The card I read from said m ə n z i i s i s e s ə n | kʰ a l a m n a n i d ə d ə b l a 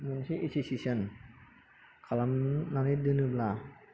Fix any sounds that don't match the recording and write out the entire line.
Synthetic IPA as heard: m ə n s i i s i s i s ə n | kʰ a l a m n a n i d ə n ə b l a